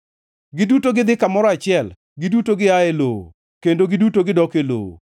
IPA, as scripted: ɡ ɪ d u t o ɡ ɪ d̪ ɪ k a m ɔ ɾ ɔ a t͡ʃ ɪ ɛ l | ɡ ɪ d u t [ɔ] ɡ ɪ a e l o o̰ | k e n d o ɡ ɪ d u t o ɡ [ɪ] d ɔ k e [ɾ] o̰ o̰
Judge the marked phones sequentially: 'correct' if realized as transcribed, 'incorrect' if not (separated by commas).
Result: incorrect, correct, incorrect